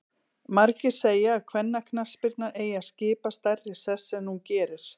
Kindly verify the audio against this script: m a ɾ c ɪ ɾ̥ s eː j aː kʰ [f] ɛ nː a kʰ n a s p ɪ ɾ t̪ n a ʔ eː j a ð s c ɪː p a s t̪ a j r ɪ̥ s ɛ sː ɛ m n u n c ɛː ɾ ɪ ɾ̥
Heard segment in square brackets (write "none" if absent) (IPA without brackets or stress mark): v